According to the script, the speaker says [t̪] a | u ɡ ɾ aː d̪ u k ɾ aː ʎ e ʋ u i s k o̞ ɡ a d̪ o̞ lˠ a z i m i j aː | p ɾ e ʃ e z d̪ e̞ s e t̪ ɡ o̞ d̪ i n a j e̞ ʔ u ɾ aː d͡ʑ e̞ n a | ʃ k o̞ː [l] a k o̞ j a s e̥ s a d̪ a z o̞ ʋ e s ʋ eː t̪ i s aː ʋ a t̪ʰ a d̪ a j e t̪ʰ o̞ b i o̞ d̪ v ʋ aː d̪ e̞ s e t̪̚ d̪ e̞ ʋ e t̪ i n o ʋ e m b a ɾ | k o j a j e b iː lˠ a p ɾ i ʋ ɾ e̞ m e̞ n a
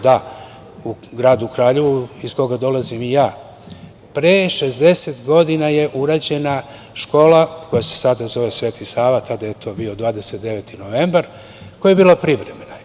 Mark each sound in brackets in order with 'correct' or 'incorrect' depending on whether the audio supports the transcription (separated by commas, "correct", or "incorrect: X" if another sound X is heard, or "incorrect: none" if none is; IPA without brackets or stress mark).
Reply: incorrect: d̪, correct